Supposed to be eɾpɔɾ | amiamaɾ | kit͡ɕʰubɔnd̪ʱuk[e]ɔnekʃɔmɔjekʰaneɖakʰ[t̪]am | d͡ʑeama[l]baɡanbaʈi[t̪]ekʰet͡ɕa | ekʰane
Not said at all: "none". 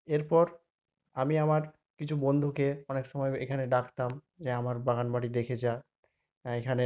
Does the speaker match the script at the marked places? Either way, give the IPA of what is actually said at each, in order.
e, t̪, ɾ, d̪

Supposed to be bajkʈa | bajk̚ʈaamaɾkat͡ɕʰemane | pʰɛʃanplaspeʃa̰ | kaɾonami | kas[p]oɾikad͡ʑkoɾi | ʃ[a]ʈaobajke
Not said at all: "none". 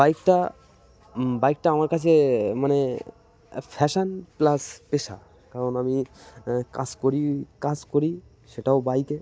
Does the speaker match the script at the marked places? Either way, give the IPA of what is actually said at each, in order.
k, e

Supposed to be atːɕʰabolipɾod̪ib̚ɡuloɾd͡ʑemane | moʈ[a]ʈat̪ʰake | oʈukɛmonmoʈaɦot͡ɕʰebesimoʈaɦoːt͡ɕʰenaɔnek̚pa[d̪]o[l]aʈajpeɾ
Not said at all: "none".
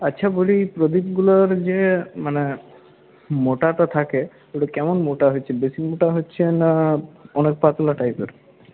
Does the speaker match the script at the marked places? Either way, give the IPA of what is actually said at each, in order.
a, t̪, l

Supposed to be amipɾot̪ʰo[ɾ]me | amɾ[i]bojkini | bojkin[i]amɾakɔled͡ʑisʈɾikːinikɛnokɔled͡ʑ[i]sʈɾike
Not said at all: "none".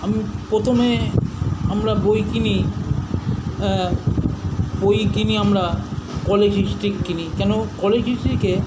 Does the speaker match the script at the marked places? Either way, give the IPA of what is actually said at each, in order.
none, a, i, i

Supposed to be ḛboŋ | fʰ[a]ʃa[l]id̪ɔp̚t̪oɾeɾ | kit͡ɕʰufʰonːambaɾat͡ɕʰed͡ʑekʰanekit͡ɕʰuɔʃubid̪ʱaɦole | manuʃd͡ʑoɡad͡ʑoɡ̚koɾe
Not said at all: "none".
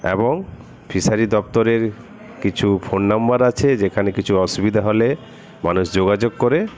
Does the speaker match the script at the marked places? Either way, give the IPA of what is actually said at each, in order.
i, ɾ

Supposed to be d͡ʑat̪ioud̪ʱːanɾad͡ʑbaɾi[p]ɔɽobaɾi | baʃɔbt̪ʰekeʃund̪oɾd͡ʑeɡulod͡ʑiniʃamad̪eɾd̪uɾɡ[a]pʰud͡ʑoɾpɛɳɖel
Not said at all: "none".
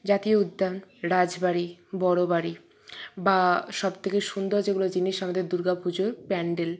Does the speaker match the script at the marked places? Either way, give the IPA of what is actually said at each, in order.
b, a

